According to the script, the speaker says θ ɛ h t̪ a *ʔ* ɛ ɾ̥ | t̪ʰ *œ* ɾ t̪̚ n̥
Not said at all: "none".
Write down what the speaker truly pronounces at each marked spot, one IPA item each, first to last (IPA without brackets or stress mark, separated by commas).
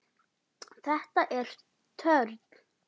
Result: ʔ, œ